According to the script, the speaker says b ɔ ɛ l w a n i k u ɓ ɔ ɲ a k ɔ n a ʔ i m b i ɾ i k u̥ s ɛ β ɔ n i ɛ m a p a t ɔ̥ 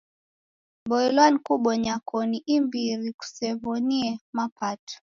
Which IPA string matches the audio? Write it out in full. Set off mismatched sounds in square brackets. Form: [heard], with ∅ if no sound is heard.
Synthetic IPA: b ɔ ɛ l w a n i k u ɓ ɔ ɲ a k ɔ n [i] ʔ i m b i ɾ i k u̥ s ɛ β ɔ n i ɛ m a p a t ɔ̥